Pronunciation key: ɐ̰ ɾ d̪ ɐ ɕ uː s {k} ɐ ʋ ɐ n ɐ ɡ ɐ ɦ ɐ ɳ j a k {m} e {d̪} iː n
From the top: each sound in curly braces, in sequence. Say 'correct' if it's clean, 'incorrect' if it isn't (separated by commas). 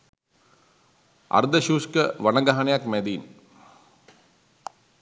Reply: correct, correct, correct